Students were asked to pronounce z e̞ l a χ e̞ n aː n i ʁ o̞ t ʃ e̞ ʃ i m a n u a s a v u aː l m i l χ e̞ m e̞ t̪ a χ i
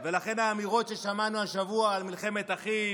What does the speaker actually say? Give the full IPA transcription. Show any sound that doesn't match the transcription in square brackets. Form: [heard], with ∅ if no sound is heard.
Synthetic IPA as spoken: [v] e̞ l a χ e̞ n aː [m] i ʁ o̞ t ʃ e̞ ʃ [a] m a n u a [ʃ] a v u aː l m i l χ e̞ m e̞ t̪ a χ i